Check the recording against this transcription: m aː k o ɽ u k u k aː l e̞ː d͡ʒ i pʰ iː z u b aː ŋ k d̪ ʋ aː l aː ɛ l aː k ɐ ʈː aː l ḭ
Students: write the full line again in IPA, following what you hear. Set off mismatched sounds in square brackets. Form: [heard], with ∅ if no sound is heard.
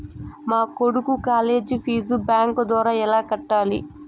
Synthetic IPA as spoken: m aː k o ɽ u k u k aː l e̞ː d͡ʒ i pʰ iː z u b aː ŋ k d̪ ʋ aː [ɾ] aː ɛ l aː k ɐ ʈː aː l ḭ